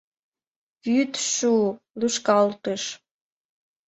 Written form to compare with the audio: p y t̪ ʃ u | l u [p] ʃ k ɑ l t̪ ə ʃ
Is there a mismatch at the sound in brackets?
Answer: yes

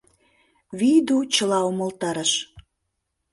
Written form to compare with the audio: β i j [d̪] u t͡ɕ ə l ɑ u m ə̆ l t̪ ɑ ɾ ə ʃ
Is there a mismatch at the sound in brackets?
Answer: no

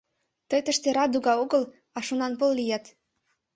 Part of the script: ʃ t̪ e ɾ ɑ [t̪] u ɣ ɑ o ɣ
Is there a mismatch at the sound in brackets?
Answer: yes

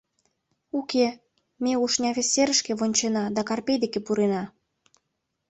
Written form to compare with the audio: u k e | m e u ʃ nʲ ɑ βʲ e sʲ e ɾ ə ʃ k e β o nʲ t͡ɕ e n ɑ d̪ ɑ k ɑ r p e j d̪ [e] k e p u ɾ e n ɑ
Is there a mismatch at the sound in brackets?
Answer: no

